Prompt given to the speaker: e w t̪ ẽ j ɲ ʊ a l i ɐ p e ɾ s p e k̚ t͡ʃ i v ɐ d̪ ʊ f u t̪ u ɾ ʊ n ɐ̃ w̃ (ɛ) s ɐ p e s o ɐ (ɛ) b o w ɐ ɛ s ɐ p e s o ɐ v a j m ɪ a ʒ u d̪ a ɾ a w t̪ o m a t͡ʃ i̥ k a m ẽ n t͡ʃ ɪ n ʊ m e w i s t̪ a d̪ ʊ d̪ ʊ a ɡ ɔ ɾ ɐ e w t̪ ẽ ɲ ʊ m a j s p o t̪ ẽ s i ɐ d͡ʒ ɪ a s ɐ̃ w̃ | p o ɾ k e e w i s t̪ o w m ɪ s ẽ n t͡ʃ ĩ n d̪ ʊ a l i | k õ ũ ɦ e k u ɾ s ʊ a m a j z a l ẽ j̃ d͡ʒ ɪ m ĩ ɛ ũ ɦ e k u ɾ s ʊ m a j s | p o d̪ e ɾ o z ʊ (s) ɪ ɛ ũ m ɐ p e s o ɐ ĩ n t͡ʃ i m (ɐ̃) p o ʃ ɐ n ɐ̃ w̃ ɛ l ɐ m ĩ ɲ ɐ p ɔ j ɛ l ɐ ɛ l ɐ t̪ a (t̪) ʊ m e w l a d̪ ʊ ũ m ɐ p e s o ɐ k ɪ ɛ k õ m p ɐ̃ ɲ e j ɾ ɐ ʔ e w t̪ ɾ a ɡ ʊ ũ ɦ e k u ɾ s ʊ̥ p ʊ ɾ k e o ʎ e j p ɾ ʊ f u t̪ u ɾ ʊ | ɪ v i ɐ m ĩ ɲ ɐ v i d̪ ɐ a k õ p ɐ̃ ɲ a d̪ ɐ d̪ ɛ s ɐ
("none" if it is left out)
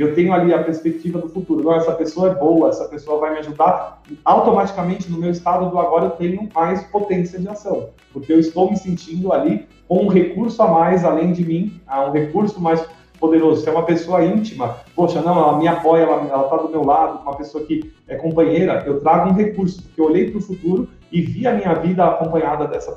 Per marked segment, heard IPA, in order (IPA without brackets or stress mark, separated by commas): ɛ, ɛ, s, ɐ, d̪